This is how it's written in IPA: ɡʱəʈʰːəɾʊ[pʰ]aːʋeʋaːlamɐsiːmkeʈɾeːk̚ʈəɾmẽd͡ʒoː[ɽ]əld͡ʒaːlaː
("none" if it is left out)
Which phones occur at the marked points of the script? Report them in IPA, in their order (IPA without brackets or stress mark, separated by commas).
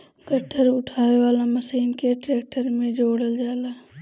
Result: ʈʰ, ɽ